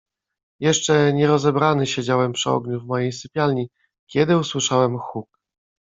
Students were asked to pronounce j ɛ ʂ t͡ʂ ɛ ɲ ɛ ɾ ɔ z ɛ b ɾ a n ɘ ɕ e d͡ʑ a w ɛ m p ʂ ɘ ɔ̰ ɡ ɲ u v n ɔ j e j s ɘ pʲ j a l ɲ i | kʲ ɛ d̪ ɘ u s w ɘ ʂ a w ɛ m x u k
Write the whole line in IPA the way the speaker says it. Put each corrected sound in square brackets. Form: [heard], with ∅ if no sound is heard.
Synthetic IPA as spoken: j ɛ ʂ t͡ʂ ɛ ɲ ɛ ɾ ɔ z ɛ b ɾ a n ɘ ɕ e d͡ʑ a w ɛ m p ʂ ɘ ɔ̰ ɡ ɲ u v [m] ɔ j e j s ɘ pʲ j a l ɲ i | kʲ ɛ d̪ ɘ u s w ɘ ʂ a w ɛ m x u k